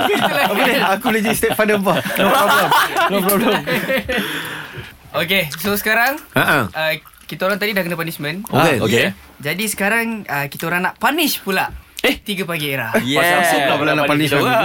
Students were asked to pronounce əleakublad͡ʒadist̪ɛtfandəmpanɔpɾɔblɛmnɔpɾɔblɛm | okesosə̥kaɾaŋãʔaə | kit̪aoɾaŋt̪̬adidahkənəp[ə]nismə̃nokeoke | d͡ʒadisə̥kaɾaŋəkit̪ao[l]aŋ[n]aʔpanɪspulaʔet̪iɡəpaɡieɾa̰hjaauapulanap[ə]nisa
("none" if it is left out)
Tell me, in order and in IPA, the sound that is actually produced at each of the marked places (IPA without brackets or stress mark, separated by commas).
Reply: a, ɾ, n, a